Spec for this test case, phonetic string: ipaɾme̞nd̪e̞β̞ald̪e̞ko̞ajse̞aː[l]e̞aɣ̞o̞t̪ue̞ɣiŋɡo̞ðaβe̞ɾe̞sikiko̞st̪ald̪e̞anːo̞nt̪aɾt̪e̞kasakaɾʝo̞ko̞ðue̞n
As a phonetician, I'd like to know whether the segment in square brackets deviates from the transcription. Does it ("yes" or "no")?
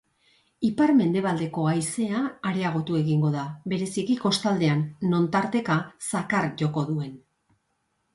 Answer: yes